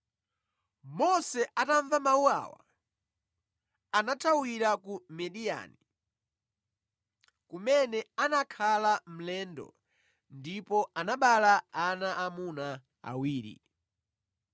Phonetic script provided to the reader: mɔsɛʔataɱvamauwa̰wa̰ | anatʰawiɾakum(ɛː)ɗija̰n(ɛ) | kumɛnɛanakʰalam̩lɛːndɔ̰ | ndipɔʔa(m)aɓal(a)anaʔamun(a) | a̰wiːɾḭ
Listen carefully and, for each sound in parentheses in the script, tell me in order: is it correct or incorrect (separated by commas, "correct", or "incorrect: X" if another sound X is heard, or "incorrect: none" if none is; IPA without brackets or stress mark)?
incorrect: ɛ, incorrect: i, incorrect: n, correct, correct